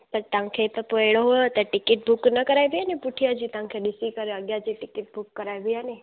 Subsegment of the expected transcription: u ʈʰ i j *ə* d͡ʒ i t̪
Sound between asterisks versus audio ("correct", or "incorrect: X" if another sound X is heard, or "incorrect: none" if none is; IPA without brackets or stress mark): incorrect: a